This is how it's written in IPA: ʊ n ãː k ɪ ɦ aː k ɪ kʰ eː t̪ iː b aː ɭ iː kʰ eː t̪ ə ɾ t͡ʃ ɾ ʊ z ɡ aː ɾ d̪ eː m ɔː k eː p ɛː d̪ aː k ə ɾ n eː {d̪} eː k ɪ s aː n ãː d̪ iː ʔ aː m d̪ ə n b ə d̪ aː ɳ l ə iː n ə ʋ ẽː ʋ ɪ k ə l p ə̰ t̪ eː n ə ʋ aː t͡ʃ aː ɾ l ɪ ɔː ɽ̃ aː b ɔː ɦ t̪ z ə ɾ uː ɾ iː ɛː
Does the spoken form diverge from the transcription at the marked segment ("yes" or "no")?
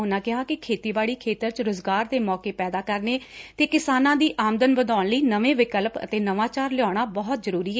yes